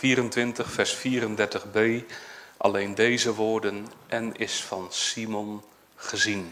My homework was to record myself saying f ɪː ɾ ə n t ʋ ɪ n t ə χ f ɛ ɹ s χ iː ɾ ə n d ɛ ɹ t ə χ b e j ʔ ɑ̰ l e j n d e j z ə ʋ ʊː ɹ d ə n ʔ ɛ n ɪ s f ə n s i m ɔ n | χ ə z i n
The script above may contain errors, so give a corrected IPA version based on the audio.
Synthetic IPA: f iː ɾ ə n t ʋ ɪ n t ə χ f ɛ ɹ s f iː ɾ ə n d ɛ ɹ t ə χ b e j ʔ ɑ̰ l e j n d e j z ə ʋ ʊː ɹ d ə n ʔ ɛ n ɪ s f ɑ n s i m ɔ n | χ ə z i n